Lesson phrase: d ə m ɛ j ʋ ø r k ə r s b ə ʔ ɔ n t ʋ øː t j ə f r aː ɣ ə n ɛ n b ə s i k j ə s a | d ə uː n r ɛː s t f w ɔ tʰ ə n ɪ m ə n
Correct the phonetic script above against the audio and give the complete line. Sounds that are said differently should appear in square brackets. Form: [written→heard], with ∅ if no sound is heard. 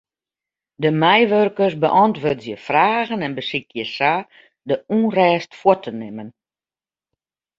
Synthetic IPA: d ə m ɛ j ʋ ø r k ə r s b ə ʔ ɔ n t ʋ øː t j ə f r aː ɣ ə n ɛ n b ə s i k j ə s a | d ə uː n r ɛː s t f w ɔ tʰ ə n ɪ m ə n